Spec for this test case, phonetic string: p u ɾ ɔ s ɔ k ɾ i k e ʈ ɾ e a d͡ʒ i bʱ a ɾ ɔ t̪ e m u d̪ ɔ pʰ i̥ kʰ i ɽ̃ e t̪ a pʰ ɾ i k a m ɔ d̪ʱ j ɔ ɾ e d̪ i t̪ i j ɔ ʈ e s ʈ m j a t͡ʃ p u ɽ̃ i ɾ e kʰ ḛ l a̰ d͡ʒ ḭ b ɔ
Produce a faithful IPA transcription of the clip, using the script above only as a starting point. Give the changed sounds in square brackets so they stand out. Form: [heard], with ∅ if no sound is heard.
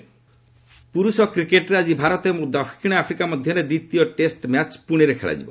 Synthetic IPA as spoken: p u ɾ [u] s ɔ k ɾ i k e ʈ ɾ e a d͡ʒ i bʱ a ɾ ɔ t̪ e m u d̪ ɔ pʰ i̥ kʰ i ɽ̃ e [∅] a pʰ ɾ i k a m ɔ d̪ʱ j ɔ ɾ e d̪ i t̪ i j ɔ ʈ e s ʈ m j a t͡ʃ p u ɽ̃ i ɾ e kʰ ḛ [ɭ] a̰ d͡ʒ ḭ b ɔ